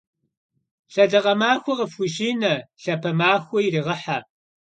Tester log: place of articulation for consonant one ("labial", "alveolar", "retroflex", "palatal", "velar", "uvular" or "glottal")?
alveolar